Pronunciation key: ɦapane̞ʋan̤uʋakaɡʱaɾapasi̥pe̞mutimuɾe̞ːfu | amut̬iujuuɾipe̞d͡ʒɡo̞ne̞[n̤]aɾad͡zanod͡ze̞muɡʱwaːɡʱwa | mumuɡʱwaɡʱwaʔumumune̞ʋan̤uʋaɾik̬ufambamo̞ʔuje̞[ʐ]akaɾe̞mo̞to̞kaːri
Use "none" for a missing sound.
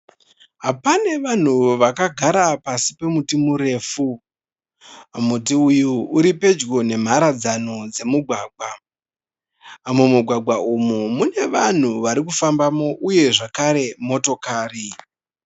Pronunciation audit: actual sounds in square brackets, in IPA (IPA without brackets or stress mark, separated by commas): m̤, ʐ